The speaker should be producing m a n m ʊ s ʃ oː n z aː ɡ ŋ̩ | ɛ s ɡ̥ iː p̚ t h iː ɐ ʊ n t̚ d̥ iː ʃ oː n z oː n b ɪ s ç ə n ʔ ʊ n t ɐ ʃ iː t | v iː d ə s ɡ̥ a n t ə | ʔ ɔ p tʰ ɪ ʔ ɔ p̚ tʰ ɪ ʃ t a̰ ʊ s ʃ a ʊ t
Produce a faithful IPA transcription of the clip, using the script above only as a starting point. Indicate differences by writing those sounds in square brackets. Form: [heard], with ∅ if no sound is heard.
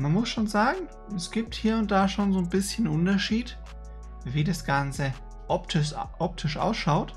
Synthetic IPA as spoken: m a n m ʊ s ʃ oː n z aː ɡ ŋ̩ | ɛ s ɡ̥ iː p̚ t h iː ɐ ʊ n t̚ d̥ [aː] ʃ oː n z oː n b ɪ s ç ə n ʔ ʊ n t ɐ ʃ iː t | v iː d [a] s ɡ̥ a n [t͡s] ə | ʔ ɔ p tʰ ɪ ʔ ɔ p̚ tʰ ɪ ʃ [ʔ] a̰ ʊ s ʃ a ʊ t